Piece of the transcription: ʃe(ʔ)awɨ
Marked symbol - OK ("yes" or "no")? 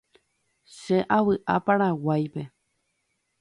yes